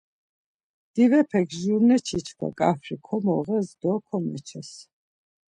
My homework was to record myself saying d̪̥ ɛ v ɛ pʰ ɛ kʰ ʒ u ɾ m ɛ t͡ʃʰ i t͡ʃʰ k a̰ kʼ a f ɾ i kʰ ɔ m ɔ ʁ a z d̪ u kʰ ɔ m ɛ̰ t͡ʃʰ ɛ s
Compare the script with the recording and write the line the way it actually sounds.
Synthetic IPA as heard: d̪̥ i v ɛ pʰ ɛ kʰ ʒ u ɾ n ɛ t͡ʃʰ i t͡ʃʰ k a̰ kʼ a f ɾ i kʰ ɔ m ɔ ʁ ɛ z d̪ ɔ kʰ ɔ m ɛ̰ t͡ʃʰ ɛ s